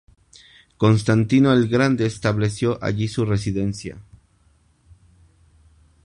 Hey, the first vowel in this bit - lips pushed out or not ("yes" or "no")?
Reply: yes